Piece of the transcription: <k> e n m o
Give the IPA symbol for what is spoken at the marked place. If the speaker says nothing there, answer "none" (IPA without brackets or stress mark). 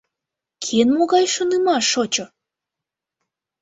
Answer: kʰ